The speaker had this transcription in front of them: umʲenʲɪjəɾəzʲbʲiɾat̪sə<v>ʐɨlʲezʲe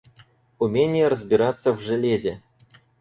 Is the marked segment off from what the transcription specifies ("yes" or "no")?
no